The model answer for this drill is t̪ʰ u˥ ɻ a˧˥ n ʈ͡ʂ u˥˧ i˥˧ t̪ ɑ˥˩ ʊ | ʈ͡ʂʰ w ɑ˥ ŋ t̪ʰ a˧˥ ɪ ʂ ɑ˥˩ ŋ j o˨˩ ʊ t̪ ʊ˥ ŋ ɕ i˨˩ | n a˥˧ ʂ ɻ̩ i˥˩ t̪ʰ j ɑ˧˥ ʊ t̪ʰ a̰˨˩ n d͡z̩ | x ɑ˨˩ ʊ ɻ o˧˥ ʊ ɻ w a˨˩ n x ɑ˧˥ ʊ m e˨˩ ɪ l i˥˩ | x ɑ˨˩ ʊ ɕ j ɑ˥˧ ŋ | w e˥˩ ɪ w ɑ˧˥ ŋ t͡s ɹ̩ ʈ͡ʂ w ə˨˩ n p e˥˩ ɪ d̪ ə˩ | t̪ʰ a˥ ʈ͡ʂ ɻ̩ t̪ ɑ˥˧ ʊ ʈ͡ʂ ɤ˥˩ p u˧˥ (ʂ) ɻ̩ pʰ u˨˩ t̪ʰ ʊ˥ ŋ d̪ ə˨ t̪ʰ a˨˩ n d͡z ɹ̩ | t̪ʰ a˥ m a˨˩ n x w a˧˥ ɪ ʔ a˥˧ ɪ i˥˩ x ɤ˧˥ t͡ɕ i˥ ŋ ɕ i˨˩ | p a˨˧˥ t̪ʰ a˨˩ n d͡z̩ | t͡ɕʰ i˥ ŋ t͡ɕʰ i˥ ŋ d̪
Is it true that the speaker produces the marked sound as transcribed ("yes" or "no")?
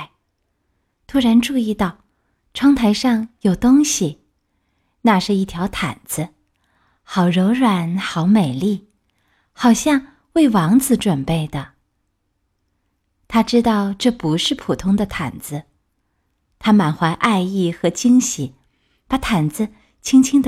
yes